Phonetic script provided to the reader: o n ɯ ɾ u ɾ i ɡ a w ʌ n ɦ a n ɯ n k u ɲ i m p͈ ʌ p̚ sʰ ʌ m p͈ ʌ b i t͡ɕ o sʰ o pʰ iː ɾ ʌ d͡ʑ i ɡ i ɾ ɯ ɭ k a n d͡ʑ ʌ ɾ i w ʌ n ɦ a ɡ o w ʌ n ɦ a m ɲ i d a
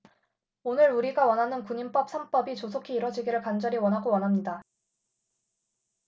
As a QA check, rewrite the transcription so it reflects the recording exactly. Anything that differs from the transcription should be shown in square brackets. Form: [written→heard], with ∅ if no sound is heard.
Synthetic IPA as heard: o n ɯ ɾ u ɾ i ɡ a w ʌ n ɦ a n ɯ n k u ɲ i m p͈ ʌ p̚ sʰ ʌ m p͈ ʌ b i t͡ɕ o sʰ o [pʰ→kʰ] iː ɾ ʌ d͡ʑ i ɡ i ɾ ɯ ɭ k a n d͡ʑ ʌ ɾ i w ʌ n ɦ a ɡ o w ʌ n ɦ a m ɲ i d a